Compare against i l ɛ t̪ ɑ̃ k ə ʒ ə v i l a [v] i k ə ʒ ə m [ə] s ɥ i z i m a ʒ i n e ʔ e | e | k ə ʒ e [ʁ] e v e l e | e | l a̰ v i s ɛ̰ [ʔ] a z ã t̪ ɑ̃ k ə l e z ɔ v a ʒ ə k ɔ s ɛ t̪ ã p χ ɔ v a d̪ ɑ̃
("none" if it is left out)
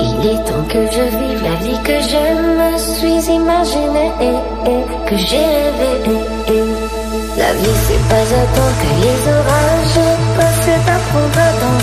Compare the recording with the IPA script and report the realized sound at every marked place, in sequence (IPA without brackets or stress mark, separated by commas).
v, ə, ʁ, p